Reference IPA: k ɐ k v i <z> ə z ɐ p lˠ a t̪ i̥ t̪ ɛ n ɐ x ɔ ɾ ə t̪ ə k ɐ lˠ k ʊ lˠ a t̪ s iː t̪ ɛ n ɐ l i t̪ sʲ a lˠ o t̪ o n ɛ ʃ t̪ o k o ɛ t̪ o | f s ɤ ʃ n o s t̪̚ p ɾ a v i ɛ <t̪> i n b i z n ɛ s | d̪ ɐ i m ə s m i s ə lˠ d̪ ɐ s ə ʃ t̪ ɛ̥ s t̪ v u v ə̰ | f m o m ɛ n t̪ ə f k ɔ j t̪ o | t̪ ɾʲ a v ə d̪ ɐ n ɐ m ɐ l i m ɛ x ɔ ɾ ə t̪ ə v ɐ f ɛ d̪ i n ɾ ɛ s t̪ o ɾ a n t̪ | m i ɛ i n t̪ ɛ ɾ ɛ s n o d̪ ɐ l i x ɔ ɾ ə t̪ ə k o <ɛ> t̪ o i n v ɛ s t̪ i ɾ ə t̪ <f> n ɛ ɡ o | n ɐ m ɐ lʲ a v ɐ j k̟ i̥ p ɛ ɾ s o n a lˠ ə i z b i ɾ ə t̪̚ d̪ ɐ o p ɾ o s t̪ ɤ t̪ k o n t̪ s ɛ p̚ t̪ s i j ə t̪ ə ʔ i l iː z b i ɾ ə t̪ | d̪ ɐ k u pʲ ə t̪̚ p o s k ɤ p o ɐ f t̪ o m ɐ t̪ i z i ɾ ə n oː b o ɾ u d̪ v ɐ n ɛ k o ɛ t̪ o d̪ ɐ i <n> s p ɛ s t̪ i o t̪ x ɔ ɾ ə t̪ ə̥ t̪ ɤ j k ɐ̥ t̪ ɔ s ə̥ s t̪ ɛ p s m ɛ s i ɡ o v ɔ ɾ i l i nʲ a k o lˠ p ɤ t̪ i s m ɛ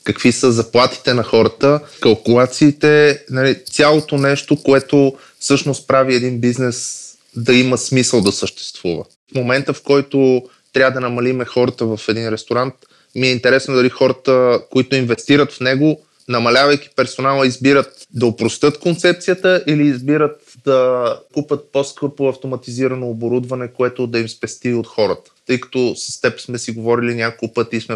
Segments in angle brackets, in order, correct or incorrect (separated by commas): incorrect, incorrect, incorrect, correct, incorrect